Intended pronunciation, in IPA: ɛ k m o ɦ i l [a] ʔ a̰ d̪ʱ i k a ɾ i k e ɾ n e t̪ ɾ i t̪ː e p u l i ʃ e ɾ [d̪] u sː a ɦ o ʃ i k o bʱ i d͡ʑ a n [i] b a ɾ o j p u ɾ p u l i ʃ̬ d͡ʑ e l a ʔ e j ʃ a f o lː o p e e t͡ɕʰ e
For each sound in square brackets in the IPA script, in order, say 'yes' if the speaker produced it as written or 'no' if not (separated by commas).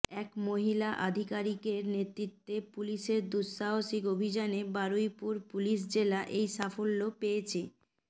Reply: yes, yes, no